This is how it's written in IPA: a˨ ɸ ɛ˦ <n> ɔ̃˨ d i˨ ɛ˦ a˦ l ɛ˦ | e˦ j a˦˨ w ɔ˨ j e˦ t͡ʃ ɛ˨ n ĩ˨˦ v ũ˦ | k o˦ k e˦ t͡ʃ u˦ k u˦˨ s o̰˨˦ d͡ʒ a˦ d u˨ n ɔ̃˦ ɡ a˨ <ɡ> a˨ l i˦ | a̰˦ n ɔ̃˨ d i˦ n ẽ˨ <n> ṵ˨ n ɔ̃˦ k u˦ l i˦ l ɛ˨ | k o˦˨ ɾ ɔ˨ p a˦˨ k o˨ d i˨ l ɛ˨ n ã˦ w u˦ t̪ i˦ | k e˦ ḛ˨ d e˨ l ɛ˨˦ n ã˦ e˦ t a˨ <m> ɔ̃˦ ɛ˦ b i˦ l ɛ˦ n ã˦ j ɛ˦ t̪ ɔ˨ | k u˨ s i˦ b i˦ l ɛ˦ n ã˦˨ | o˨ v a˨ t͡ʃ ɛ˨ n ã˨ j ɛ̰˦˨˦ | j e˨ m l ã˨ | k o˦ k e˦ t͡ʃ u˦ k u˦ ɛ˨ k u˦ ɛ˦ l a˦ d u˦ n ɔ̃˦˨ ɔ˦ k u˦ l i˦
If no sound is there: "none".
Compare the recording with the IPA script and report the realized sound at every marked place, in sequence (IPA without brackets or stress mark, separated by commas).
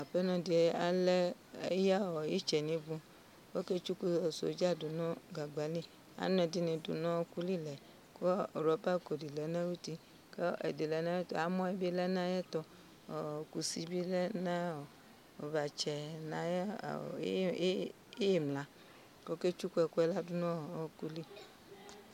n, ɡ͡b, d, m